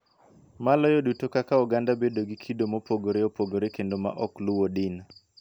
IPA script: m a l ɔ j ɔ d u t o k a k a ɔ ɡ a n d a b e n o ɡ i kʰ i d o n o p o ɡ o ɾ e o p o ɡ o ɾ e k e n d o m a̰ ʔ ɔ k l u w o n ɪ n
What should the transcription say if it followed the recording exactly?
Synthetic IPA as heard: m a l ɔ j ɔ d u t o k a k a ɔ ɡ a n d a b e d o ɡ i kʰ i d o m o p o ɡ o ɾ e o p o ɡ o ɾ e k e n d o m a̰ ʔ ɔ k l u w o d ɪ n